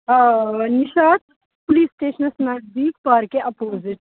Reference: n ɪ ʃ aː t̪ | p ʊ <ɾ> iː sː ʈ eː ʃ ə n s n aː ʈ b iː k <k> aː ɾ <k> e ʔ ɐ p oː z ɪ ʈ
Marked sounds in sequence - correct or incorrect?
incorrect, incorrect, correct

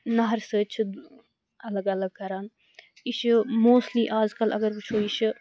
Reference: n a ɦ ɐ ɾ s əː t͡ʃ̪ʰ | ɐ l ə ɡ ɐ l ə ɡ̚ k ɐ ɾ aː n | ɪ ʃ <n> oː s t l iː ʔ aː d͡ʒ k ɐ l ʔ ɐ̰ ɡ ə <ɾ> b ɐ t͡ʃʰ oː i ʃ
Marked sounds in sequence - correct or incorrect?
incorrect, correct

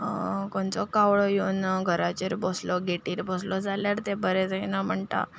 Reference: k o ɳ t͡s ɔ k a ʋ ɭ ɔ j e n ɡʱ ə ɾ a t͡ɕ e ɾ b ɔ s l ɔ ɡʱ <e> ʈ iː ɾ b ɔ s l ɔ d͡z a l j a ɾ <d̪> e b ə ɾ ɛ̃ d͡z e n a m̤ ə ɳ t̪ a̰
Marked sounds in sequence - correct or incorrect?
correct, incorrect

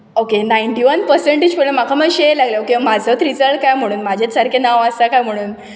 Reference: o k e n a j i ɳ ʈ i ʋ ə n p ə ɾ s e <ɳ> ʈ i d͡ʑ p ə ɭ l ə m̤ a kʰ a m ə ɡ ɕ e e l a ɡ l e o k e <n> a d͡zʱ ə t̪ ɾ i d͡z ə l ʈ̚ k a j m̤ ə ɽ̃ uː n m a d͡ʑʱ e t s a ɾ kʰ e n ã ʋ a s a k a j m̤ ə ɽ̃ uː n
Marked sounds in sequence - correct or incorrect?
correct, incorrect

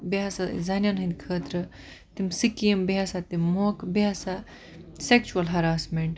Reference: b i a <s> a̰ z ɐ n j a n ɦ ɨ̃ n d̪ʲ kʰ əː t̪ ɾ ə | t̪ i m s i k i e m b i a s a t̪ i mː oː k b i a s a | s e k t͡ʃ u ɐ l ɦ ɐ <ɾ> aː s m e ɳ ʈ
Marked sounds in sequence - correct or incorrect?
correct, correct

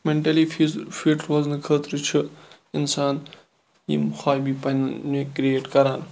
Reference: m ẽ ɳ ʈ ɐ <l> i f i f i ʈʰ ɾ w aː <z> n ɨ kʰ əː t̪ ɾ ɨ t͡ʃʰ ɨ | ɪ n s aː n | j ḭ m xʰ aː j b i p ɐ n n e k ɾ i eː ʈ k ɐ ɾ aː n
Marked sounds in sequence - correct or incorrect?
correct, correct

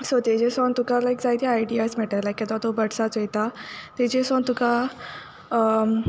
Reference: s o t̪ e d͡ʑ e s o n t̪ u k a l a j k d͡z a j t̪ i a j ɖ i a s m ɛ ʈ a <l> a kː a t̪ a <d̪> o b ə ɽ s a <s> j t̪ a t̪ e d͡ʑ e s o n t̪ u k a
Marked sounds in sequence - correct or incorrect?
correct, incorrect, incorrect

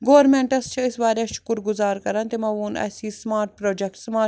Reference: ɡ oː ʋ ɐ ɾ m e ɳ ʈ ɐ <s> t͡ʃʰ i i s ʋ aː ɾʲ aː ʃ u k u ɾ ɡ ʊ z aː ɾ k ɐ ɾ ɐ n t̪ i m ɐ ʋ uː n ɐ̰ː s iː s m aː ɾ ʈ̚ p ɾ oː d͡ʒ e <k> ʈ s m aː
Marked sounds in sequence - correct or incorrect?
correct, correct

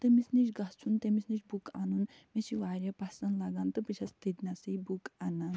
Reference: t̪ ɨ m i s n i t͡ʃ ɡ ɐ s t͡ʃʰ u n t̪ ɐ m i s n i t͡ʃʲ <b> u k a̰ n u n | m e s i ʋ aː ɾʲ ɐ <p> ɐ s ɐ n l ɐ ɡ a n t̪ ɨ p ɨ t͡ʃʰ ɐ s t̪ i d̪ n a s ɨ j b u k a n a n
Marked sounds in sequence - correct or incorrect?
correct, correct

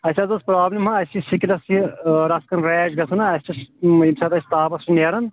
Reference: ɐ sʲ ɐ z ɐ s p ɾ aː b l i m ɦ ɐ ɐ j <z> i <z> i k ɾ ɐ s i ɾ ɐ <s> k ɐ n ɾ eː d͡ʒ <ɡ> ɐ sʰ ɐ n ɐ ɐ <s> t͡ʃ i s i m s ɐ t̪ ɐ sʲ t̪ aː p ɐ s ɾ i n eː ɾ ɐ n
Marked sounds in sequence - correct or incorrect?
incorrect, incorrect, correct, correct, correct

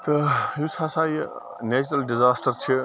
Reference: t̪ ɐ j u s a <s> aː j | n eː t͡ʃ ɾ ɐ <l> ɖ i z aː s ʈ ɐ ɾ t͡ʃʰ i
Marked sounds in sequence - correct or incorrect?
correct, correct

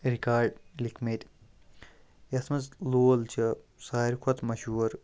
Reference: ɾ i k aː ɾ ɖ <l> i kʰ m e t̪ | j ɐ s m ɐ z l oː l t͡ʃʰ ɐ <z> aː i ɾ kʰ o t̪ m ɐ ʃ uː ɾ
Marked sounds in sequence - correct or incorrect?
correct, incorrect

